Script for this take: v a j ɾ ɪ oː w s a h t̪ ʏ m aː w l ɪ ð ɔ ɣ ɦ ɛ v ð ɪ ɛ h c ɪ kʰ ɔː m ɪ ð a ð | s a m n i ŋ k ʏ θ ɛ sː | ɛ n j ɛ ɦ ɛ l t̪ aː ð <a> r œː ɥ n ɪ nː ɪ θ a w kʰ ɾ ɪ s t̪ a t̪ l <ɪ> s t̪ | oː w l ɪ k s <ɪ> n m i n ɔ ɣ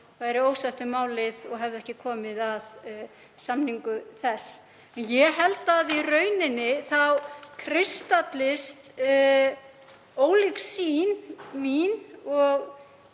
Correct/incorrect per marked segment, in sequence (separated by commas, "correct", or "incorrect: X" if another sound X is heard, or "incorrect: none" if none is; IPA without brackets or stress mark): incorrect: i, correct, incorrect: i